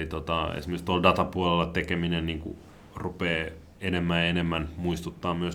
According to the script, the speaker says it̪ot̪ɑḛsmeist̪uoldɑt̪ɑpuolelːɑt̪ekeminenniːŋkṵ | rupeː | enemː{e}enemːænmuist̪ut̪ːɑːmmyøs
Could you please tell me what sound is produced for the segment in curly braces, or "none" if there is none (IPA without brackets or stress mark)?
æ